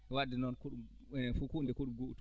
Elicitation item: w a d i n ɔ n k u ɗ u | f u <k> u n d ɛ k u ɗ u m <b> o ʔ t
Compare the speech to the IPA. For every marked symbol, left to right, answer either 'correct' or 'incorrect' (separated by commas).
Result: correct, incorrect